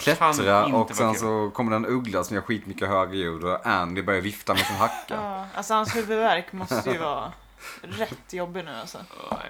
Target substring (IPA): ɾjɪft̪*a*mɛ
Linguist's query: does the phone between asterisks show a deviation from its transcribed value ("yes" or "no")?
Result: no